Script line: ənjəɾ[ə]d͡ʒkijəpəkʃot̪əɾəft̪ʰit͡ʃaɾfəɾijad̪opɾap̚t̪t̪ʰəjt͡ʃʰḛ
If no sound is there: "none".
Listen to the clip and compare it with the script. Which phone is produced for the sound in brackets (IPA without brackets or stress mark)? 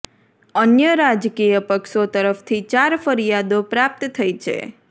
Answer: a